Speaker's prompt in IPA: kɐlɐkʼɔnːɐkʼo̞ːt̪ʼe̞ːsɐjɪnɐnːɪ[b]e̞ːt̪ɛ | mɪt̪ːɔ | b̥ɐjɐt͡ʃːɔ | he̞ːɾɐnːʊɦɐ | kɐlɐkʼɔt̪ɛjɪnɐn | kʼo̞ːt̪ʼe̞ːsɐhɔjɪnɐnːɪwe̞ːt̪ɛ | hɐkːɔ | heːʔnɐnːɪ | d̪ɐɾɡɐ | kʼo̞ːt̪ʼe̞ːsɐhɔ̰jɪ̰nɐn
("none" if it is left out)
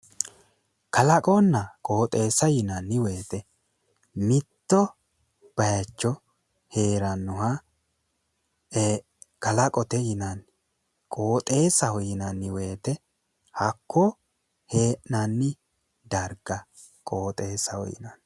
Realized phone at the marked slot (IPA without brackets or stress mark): w